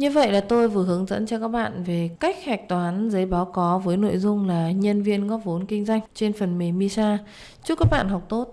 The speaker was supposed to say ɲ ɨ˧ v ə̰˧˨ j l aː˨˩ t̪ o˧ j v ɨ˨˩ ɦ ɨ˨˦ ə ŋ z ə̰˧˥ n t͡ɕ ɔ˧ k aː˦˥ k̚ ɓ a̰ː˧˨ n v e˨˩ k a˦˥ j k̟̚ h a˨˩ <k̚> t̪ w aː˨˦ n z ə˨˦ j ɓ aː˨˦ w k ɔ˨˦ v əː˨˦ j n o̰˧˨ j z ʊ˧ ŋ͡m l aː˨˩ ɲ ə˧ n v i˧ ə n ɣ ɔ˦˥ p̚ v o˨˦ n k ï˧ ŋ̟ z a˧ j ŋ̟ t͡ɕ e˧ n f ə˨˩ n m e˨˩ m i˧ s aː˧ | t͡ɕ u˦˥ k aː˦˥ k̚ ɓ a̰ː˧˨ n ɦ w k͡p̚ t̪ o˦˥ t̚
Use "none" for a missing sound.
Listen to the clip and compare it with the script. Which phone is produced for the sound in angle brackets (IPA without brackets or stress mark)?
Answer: k̚